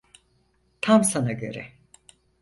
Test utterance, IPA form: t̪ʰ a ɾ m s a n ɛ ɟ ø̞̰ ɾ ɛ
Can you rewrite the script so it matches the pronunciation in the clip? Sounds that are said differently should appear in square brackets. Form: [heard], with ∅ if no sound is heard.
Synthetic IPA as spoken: t̪ʰ a [∅] m s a n [a] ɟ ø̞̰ ɾ ɛ